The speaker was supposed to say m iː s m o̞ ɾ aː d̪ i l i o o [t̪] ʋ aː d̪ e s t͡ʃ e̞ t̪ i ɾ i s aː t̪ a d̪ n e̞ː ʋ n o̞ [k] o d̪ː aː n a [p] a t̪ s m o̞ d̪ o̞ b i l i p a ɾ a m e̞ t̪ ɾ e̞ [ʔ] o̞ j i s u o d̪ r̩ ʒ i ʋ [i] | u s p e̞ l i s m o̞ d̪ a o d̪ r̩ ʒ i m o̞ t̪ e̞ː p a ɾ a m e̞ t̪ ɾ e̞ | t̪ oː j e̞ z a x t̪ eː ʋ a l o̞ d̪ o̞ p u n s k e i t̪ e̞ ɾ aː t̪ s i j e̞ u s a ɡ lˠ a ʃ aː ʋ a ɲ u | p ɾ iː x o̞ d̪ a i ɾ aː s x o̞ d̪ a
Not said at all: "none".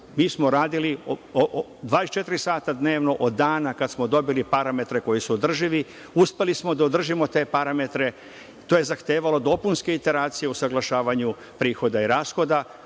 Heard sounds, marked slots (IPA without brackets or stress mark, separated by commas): d̪, ʔ, k, k, i